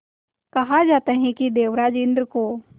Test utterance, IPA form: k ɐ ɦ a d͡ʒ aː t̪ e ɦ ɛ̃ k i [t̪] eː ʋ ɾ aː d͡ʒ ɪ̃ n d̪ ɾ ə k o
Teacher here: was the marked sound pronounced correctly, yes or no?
no